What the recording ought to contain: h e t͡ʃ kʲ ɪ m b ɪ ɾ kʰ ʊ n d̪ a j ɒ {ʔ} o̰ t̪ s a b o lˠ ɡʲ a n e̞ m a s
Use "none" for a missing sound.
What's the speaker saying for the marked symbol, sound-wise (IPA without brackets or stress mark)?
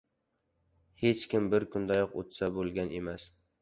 q